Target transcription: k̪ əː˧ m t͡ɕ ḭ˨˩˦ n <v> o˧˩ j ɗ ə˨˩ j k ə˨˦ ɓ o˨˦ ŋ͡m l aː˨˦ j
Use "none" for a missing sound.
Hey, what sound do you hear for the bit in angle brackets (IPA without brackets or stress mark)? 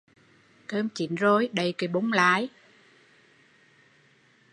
z